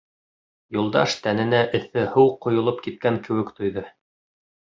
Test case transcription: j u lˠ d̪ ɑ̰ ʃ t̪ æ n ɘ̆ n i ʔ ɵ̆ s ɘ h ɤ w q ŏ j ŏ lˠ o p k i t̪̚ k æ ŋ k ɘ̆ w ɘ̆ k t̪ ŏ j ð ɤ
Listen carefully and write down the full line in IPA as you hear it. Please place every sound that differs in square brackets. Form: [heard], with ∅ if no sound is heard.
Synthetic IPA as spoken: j u lˠ d̪ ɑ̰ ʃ t̪ æ n ɘ̆ n [æ] ʔ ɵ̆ [θ] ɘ h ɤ w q ŏ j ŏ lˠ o p k i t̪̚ k æ ŋ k ɘ̆ w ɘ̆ k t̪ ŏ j ð ɤ